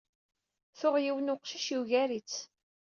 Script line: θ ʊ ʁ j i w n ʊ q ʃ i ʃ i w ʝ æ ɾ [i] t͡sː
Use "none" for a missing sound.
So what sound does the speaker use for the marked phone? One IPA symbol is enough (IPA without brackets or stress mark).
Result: i